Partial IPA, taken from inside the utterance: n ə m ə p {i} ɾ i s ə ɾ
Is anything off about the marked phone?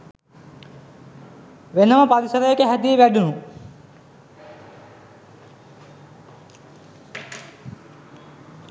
yes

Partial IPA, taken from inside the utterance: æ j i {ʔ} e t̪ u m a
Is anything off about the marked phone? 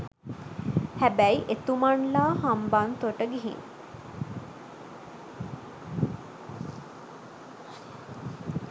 no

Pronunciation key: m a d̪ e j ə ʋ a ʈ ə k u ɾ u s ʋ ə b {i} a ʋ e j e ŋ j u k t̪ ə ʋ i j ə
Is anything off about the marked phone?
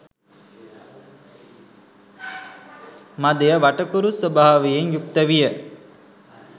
yes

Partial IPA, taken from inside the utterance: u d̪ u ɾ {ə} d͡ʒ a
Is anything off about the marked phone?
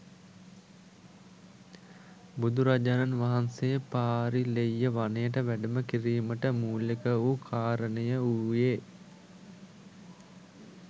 yes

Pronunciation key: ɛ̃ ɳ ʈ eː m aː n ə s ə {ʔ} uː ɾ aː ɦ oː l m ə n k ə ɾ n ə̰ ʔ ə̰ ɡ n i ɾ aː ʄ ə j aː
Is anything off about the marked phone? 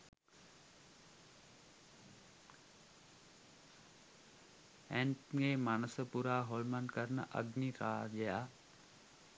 yes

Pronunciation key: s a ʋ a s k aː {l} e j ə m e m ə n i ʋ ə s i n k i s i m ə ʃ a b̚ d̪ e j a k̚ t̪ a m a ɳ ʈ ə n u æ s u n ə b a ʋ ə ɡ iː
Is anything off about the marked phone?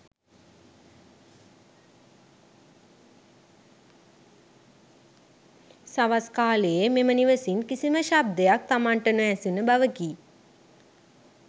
no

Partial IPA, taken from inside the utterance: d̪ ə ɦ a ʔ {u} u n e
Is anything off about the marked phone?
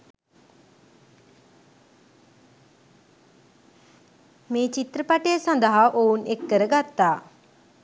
yes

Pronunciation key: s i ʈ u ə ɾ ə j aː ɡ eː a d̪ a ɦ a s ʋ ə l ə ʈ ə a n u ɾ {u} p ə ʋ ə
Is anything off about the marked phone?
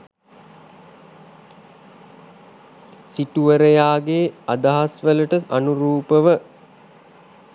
yes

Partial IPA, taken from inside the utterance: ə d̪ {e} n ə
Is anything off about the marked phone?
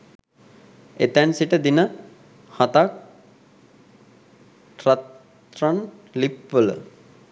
yes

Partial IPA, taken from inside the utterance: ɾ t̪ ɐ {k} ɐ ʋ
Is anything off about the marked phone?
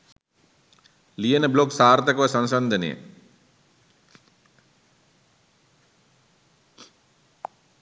no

